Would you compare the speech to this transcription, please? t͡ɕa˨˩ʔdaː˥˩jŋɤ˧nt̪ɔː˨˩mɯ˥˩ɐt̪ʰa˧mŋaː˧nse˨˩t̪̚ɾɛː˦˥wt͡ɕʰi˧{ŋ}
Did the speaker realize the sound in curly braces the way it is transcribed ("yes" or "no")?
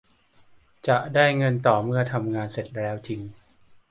yes